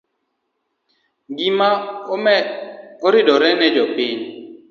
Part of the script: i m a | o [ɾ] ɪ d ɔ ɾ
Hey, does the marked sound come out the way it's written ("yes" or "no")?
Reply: yes